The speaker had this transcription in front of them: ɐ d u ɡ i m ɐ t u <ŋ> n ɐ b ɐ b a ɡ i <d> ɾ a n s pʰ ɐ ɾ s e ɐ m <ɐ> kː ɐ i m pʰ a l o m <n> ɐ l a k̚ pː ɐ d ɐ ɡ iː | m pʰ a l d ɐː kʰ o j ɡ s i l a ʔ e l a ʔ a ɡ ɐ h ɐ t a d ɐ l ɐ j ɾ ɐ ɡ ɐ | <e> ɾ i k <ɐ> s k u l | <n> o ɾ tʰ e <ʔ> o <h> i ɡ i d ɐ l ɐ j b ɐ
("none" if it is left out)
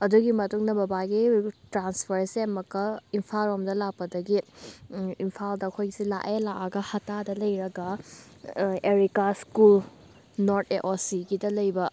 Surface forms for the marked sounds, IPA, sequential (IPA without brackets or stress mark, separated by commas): ŋ, t, ɐ, d, e, a, n, ʔ, s